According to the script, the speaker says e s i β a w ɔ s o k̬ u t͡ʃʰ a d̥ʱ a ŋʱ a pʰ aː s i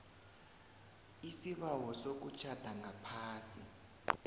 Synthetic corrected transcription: i s i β a w ɔ s o k̬ u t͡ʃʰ a d̥ʱ a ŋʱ a pʰ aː s i